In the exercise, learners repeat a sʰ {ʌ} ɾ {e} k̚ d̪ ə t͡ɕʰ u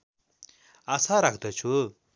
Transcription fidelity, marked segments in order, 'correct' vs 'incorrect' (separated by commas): incorrect, incorrect